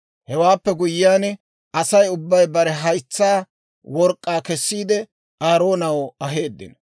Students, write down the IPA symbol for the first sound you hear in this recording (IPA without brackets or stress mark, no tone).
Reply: h